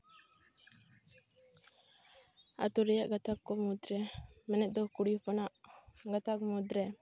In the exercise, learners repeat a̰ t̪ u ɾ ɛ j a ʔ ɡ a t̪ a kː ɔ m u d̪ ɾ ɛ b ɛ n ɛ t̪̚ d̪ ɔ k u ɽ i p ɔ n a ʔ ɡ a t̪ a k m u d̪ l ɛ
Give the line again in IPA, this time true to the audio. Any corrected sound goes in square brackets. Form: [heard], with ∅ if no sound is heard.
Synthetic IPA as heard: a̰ t̪ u ɾ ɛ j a ʔ ɡ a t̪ a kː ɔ m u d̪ ɾ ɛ [m] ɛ n ɛ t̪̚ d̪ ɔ k u ɽ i p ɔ n a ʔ ɡ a t̪ a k m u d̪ [ɾ] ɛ